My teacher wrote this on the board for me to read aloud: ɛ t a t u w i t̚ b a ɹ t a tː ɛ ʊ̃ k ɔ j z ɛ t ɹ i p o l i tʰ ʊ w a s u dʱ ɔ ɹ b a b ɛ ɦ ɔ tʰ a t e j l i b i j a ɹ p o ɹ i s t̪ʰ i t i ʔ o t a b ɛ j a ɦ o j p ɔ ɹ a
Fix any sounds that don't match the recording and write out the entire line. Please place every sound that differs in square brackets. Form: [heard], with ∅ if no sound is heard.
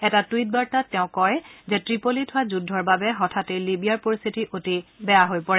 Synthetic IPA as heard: ɛ t a t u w i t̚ b a ɹ t a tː ɛ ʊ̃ k ɔ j z ɛ t ɹ i p o l i tʰ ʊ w a [z] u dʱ ɔ ɹ b a b ɛ ɦ ɔ tʰ a t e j l i b i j a ɹ p o ɹ i s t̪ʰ i t i ʔ o t [i] b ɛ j a ɦ o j p ɔ ɹ [ɛ]